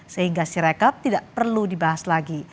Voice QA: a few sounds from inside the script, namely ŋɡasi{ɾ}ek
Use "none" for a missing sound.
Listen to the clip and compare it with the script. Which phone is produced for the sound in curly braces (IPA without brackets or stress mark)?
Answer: ɾ